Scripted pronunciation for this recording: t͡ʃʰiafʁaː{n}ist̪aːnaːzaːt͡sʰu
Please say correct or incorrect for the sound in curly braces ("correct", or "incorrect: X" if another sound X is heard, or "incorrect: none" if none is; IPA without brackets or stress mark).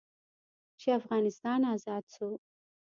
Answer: correct